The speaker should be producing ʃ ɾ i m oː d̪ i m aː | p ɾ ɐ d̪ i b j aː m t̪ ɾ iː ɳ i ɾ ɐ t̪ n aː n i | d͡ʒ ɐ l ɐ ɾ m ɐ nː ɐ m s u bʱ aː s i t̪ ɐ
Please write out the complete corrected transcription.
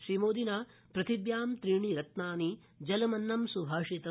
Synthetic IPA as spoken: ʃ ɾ i m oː d̪ i n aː | p ɾ ɐ t̪ i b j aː m t̪ ɾ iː ɳ i ɾ ɐ t̪ n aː n i | d͡ʒ ɐ l ɐ m ɐ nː ɐ m s u bʱ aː ʂ i t̪ ɐ